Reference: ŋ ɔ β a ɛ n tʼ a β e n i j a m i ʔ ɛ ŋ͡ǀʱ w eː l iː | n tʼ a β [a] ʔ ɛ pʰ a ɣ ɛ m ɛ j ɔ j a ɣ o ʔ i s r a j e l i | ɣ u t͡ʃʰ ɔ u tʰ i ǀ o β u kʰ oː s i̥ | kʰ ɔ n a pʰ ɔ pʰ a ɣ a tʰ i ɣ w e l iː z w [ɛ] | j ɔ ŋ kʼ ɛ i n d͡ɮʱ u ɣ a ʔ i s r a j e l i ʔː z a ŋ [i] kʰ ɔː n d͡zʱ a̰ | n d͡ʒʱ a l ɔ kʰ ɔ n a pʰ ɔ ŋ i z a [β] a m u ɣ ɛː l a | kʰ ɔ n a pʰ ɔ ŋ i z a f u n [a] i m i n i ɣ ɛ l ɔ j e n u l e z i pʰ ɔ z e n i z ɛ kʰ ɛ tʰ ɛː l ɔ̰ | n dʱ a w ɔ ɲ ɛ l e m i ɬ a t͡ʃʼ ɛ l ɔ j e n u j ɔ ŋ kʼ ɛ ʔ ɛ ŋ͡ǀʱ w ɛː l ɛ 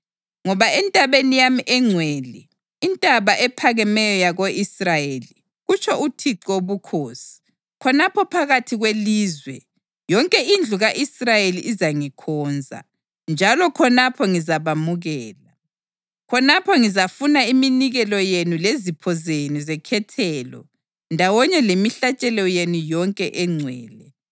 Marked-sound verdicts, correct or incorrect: correct, correct, correct, correct, correct

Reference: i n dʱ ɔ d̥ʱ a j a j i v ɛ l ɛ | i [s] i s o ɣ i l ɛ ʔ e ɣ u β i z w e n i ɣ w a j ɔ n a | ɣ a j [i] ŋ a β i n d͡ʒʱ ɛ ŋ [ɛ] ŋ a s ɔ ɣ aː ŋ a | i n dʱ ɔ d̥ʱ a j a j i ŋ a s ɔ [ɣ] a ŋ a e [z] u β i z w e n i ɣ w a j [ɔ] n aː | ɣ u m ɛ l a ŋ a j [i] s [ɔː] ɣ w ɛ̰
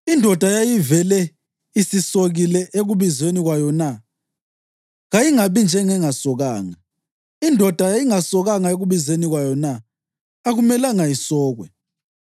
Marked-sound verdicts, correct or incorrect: correct, correct, correct, correct, incorrect, correct, correct, correct

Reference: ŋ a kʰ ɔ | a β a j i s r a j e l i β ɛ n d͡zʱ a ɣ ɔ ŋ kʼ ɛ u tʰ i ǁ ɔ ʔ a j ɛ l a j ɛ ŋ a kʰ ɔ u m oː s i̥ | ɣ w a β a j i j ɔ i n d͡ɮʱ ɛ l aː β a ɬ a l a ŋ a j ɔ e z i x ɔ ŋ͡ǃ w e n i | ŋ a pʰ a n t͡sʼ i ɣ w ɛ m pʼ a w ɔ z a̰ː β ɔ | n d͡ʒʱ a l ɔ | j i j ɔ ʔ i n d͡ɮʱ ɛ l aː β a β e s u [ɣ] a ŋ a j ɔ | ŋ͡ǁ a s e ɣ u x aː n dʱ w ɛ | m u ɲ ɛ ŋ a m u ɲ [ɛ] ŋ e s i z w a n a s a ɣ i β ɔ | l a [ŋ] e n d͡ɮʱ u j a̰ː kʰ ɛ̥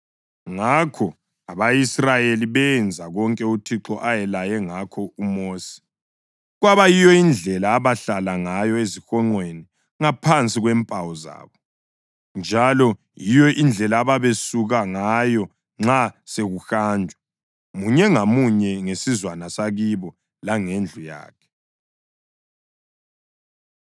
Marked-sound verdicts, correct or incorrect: correct, correct, correct

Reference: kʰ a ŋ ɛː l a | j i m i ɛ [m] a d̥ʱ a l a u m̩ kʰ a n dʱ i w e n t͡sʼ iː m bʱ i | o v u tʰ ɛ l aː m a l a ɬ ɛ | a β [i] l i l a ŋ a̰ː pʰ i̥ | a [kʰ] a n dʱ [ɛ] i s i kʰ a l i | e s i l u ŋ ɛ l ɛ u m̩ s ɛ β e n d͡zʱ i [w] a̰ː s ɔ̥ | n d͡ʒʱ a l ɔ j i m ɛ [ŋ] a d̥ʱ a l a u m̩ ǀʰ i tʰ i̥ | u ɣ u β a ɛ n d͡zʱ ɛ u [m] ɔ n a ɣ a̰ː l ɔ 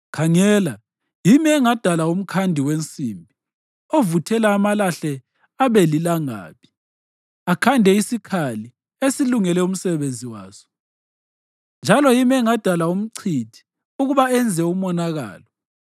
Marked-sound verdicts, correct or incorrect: incorrect, incorrect, correct, correct, correct, correct, correct

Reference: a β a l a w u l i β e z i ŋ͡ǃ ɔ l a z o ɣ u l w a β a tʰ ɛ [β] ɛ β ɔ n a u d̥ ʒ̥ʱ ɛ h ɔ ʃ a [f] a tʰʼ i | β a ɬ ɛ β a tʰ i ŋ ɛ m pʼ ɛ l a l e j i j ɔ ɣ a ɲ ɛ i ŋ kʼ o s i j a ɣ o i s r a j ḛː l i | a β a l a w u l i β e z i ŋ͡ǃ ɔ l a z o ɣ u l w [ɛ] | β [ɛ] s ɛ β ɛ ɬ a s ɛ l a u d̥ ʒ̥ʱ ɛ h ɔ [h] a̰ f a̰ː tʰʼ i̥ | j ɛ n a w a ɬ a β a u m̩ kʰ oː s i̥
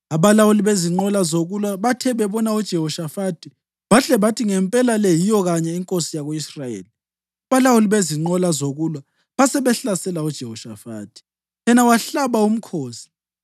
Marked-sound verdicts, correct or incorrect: correct, correct, incorrect, incorrect, incorrect

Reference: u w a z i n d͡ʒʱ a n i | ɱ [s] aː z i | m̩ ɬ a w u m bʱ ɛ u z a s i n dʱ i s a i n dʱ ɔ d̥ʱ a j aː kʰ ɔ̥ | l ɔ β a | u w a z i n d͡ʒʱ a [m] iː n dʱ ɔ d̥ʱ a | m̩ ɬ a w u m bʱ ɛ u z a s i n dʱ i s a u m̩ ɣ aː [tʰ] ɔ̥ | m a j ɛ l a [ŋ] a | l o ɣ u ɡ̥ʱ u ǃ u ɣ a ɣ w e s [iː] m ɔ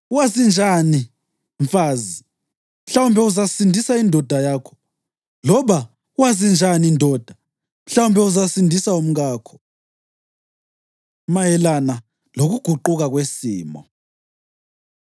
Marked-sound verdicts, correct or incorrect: incorrect, incorrect, incorrect, incorrect, correct

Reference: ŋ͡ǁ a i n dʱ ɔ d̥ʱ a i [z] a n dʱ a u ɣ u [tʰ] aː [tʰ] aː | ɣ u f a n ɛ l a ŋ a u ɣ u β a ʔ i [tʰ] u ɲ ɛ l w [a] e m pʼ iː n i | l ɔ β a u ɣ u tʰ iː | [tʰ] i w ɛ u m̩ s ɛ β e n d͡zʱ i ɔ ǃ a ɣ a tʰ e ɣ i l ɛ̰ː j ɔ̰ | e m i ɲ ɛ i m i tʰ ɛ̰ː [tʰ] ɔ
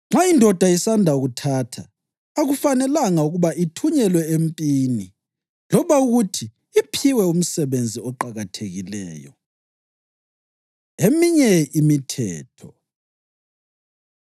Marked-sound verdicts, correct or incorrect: incorrect, correct, correct, correct, incorrect, incorrect, correct

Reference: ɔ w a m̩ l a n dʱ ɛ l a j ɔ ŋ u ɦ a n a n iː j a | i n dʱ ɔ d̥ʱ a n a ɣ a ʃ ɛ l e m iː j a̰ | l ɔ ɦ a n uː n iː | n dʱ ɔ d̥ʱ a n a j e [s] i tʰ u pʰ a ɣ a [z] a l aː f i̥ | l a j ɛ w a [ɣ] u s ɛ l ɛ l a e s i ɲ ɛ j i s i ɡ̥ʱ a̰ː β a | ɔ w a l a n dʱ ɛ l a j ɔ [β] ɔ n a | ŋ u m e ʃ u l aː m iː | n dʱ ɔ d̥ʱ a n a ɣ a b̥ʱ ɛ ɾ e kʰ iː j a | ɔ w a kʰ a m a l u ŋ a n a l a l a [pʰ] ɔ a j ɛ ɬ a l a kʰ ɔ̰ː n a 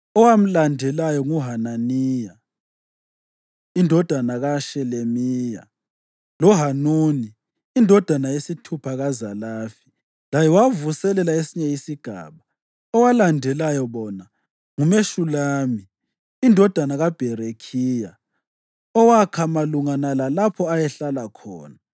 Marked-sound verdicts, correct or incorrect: correct, correct, incorrect, correct, correct

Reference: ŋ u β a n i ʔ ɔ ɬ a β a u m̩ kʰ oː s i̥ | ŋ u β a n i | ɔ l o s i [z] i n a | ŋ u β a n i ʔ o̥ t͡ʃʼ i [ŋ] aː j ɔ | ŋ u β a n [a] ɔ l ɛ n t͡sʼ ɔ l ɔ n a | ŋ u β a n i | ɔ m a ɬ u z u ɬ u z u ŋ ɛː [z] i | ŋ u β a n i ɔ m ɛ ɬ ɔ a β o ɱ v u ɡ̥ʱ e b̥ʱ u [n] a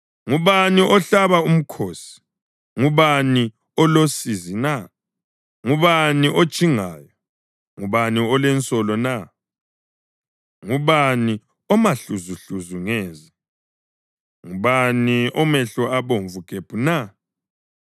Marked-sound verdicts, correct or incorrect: correct, correct, incorrect, correct, correct

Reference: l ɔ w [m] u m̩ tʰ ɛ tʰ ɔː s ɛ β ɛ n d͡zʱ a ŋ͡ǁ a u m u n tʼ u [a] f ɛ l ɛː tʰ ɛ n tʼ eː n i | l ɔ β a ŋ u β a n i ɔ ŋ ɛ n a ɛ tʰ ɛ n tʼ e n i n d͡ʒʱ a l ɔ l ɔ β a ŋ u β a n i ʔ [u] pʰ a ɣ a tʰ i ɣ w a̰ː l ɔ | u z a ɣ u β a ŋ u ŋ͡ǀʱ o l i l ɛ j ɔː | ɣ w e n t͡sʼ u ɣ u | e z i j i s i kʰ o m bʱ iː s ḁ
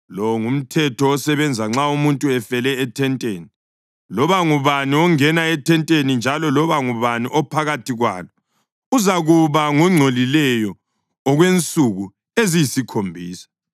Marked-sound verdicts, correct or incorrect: incorrect, incorrect, incorrect

